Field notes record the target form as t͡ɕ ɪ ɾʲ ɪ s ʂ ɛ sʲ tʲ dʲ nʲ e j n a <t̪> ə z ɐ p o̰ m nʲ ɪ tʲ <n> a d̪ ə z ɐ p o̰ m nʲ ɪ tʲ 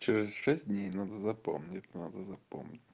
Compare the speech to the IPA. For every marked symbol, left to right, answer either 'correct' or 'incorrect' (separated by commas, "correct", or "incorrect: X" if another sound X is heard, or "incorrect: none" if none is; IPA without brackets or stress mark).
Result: incorrect: d̪, correct